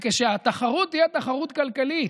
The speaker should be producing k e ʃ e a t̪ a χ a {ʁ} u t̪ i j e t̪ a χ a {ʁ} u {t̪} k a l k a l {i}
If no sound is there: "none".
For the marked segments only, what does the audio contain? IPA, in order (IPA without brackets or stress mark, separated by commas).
ʁ, ʁ, t̪, i